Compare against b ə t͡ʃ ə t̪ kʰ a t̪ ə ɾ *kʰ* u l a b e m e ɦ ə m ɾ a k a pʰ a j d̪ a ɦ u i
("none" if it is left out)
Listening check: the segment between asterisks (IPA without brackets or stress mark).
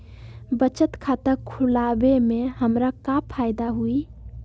kʰ